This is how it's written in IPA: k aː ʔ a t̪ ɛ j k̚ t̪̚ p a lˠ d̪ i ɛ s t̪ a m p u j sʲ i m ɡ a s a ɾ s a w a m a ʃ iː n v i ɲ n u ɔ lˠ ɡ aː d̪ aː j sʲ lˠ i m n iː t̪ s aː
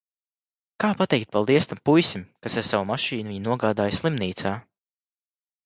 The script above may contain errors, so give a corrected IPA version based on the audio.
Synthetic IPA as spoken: k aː p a t̪ ɛ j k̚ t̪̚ p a lˠ d̪ i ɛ s t̪ a m p u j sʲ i m k a s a ɾ s a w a m a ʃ iː n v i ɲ n u ɔ ɡ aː d̪ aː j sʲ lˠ i m n iː t̪ s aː